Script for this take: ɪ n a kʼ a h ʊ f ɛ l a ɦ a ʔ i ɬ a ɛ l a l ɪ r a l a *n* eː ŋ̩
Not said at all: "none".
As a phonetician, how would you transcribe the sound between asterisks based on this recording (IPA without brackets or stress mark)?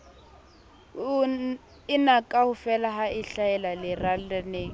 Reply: n